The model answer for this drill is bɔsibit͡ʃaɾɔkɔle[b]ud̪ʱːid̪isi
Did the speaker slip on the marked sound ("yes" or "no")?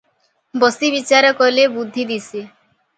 no